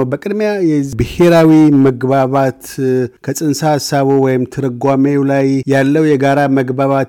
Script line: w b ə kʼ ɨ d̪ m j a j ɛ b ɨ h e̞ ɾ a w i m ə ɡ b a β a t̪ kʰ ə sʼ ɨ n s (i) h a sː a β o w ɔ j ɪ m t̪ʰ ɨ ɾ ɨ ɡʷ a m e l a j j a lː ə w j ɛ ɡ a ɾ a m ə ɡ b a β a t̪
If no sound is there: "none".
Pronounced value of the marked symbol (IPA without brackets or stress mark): a